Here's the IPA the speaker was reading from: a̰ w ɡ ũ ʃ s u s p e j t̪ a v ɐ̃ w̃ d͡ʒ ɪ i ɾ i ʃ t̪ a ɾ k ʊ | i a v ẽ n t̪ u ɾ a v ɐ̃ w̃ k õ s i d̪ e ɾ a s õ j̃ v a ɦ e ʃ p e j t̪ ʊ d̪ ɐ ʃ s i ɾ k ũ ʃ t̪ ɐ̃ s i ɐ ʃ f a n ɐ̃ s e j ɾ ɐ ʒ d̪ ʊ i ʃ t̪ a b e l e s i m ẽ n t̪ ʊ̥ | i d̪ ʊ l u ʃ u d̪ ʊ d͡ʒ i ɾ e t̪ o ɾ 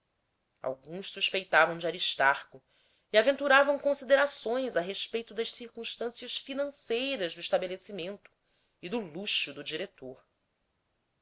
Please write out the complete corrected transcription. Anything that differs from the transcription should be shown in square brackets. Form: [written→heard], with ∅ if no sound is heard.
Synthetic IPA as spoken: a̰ w ɡ ũ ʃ s u [s→ʃ] p e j t̪ a v ɐ̃ w̃ d͡ʒ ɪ [i→a] ɾ i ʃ t̪ a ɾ k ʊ | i a v ẽ n t̪ u ɾ a v ɐ̃ w̃ k õ s i d̪ e ɾ a s õ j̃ [v→z] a ɦ e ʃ p e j t̪ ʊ d̪ ɐ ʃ s i ɾ k ũ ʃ t̪ ɐ̃ s i ɐ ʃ f [a→i] n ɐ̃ s e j ɾ ɐ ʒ d̪ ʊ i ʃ t̪ a b e l e s i m ẽ n t̪ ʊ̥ | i d̪ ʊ l u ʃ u d̪ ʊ d͡ʒ i ɾ e t̪ o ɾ